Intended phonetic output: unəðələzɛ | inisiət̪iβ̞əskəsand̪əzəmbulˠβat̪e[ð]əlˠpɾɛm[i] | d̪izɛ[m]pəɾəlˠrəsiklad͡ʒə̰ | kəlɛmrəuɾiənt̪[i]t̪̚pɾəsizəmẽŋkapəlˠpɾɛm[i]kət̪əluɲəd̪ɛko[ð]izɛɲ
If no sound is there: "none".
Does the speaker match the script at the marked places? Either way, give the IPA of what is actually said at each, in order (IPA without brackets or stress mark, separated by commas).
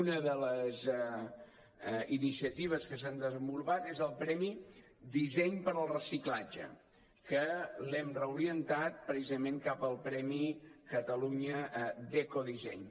z, i, ɲ, a, i, ð